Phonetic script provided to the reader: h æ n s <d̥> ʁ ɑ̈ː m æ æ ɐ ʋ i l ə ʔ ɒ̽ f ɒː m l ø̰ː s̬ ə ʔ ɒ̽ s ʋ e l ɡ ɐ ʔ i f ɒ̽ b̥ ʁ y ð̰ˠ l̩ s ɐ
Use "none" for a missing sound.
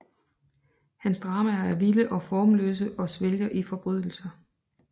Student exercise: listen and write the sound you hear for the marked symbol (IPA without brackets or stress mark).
d̥